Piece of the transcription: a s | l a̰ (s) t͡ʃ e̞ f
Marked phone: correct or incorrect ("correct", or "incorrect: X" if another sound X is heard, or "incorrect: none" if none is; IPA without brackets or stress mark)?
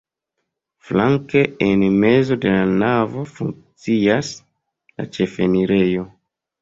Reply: incorrect: none